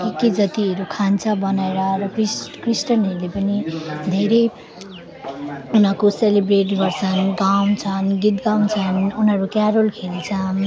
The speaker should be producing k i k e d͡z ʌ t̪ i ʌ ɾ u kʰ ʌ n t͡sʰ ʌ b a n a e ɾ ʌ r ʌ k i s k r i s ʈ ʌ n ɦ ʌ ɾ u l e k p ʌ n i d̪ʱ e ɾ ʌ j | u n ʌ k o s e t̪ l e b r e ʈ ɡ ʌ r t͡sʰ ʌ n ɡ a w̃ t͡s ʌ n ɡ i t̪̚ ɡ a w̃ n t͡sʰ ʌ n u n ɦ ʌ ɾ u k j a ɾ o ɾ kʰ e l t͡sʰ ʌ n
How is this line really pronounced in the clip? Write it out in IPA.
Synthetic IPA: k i k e d͡z ʌ t̪ i ʌ ɾ u kʰ a n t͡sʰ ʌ b ʌ n a e ɾ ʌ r ʌ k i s k r i s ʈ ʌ n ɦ ʌ ɾ u l e p ʌ n i d̪ʱ e ɾ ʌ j | u n ʌ k o s e l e b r e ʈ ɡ ʌ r t͡sʰ ʌ n ɡ a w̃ t͡sʰ ʌ n ɡ i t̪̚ ɡ a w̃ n t͡sʰ ʌ n u n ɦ ʌ ɾ u k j a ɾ o l kʰ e l t͡sʰ ʌ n